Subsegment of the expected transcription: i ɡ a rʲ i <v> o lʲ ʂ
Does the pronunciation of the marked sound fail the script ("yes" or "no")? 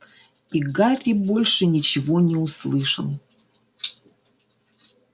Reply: yes